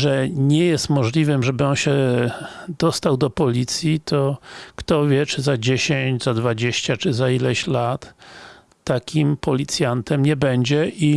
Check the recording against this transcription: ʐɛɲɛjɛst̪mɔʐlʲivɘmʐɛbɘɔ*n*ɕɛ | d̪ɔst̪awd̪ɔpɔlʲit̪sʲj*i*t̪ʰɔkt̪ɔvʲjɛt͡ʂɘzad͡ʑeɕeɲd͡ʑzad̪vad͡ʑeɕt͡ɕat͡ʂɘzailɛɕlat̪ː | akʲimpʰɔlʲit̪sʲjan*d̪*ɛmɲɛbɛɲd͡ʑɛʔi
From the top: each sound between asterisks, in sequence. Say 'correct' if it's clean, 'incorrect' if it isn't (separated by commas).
correct, correct, incorrect